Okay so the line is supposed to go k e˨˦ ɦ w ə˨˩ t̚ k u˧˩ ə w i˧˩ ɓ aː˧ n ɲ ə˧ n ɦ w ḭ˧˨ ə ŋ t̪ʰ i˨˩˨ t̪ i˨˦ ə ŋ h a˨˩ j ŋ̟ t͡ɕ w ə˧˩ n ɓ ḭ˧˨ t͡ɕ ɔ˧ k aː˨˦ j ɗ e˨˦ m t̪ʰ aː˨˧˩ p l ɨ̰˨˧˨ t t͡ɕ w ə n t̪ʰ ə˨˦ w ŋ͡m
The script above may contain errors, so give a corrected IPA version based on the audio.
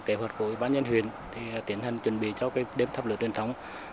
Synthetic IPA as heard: k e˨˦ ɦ w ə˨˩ t̚ k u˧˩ ə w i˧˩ ɓ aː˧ n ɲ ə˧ n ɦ w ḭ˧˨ ə n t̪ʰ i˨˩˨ t̪ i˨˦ ə n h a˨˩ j ŋ̟ t͡ɕ w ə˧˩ n ɓ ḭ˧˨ t͡ɕ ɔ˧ k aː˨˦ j ɗ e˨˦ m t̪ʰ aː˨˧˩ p l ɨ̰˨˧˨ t t͡ɕ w ə n t̪ʰ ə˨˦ w ŋ͡m